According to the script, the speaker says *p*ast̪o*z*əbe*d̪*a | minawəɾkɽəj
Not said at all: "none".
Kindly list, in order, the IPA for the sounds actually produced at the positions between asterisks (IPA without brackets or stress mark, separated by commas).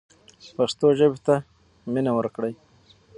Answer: p, ʒ, t̪